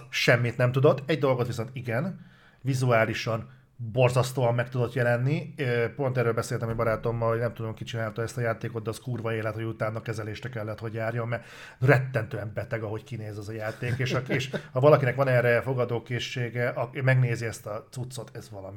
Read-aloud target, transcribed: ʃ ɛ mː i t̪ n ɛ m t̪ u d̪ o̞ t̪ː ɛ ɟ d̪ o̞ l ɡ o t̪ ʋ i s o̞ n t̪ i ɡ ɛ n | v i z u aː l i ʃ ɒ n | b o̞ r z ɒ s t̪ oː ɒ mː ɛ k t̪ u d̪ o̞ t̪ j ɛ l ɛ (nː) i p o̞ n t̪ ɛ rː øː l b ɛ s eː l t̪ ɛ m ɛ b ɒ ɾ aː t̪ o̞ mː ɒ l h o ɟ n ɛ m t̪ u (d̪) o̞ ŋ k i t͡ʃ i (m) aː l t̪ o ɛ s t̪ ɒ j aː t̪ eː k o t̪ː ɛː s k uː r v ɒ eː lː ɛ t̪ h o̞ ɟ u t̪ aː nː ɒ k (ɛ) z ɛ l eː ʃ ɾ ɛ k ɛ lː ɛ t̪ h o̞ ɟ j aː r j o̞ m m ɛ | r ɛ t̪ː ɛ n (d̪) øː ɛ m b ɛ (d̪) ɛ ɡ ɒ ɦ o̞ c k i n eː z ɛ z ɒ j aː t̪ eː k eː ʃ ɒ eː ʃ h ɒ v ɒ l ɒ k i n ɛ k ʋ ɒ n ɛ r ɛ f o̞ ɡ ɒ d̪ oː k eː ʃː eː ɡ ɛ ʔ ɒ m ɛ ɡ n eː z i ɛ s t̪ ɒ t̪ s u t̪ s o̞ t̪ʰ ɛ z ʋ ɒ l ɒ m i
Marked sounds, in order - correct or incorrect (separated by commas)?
correct, correct, incorrect, correct, incorrect, incorrect